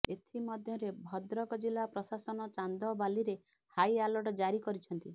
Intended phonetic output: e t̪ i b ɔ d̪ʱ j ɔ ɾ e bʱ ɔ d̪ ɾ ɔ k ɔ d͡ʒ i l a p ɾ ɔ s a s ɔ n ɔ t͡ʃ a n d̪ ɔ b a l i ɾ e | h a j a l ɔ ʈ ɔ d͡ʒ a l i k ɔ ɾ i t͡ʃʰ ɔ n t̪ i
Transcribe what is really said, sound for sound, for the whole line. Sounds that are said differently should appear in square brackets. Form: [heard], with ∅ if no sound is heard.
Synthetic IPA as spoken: e [t̪ʰ] i [m] ɔ d̪ʱ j ɔ ɾ e bʱ ɔ d̪ ɾ ɔ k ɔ d͡ʒ i l a p ɾ ɔ s a s ɔ n ɔ t͡ʃ a n d̪ ɔ b a l i ɾ e | h a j a l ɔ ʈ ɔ d͡ʒ a [ɾ] i k ɔ ɾ i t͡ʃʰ ɔ n t̪ i